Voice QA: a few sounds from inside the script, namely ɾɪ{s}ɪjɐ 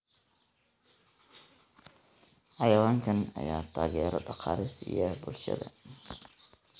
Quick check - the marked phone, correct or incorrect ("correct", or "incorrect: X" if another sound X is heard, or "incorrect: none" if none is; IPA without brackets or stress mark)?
correct